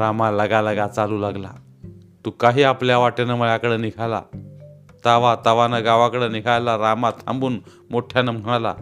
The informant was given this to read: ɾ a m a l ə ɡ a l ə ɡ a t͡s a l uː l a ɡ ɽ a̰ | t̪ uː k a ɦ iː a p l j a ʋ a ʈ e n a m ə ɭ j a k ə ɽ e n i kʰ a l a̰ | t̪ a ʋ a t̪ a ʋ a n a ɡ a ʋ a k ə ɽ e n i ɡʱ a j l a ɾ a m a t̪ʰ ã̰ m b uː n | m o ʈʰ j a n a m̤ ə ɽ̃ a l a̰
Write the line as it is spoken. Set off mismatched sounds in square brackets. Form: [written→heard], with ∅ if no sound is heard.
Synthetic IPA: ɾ a m a l ə ɡ a l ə ɡ a t͡s a l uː l a ɡ [ɽ→l] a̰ | t̪ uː k a ɦ iː a p l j a ʋ a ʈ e n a m ə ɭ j a k ə ɽ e n i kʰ a l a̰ | t̪ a ʋ a t̪ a ʋ a n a ɡ a ʋ a k ə ɽ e n i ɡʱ a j l a ɾ a m a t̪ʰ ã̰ m b uː n | m o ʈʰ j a n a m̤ ə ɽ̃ a l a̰